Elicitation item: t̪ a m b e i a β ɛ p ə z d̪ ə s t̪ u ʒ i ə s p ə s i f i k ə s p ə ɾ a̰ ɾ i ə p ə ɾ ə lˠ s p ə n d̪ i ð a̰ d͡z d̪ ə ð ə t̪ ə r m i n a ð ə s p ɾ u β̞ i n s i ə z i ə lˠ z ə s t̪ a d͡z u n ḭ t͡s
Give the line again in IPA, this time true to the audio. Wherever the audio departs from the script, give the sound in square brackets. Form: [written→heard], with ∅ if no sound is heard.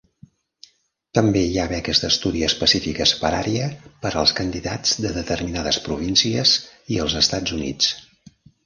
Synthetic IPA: t̪ [a→ə] m b e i a β ɛ [p→k] ə z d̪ ə s t̪ u [ʒ→ð] i ə s p ə s i f i k ə s p ə ɾ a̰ ɾ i ə p ə ɾ ə lˠ s [p→k] ə n d̪ i ð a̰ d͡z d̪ ə ð ə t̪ ə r m i n a ð ə s p ɾ u β̞ i n s i ə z i ə lˠ z ə s t̪ a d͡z u n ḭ t͡s